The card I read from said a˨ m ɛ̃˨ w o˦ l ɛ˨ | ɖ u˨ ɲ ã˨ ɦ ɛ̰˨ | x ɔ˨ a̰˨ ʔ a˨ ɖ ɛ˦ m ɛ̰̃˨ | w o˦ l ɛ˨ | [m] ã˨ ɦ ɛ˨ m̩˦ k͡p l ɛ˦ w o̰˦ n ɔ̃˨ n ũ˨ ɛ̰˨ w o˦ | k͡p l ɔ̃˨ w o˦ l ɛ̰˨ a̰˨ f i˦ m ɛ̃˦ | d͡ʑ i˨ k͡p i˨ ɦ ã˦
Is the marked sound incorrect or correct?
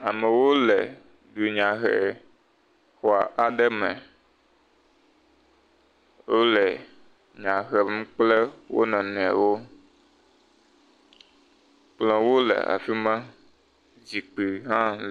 incorrect